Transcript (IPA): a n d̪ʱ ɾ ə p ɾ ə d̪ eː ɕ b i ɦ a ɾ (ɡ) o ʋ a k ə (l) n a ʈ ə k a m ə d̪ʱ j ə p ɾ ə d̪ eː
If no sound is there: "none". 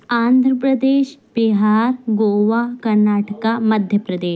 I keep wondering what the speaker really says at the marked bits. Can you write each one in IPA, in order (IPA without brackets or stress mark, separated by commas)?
ɡ, ɾ